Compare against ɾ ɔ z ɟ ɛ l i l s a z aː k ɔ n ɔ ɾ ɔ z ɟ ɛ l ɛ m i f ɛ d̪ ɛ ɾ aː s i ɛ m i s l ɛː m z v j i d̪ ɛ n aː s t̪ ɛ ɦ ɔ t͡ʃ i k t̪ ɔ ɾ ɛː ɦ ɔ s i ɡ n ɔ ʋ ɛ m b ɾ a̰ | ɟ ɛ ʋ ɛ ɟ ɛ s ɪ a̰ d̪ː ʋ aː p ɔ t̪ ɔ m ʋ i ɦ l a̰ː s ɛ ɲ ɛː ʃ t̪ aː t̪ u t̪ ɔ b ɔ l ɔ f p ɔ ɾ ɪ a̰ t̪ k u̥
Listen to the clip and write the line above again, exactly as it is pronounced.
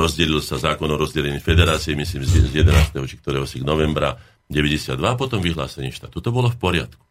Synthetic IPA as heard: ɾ ɔ z ɟ ɛ l i l s a z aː k ɔ n ɔ ɾ ɔ z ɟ ɛ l ɛ ɲ i f ɛ d̪ ɛ ɾ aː t͡s i ɛ m i s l iː m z z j ɛ d̪ ɛ n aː s t̪ ɛ ɦ ɔ t͡ʃ i k t̪ ɔ ɾ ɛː ɦ ɔ s i ɡ n ɔ ʋ ɛ m b ɾ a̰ | ɟ ɛ ʋ ɛ ɟ ɛ s ɪ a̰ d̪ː ʋ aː p ɔ t̪ ɔ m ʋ i ɦ l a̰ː s ɛ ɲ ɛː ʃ t̪ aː t̪ u t̪ ɔ b ɔ l ɔ f p ɔ ɾ ɪ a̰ t̪ k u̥